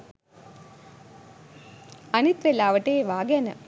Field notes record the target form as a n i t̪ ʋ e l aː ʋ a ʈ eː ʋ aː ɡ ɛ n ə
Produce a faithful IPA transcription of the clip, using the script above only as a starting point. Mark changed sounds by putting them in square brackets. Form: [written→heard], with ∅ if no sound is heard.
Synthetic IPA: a n i t̪ ʋ e l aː ʋ [a→ə] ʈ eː ʋ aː ɡ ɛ n ə